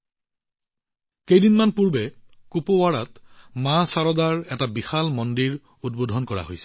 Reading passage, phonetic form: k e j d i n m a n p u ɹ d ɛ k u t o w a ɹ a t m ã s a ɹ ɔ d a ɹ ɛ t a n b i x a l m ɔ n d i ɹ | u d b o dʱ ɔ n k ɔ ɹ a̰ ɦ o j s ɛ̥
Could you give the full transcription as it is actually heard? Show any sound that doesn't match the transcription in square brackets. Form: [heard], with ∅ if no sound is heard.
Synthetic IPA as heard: k e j d i n m a n p u ɹ [b] ɛ k u [p] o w a ɹ a t m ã s a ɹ ɔ d a ɹ ɛ t a [∅] b i x a l m ɔ n d i ɹ | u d b o dʱ ɔ n k ɔ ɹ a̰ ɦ o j s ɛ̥